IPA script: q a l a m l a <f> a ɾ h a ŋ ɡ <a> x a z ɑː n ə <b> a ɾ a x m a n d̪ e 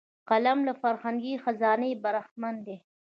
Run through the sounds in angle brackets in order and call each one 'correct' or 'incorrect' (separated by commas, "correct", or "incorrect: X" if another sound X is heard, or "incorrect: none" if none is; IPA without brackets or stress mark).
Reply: correct, incorrect: i, correct